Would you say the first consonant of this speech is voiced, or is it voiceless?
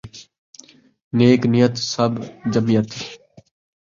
voiced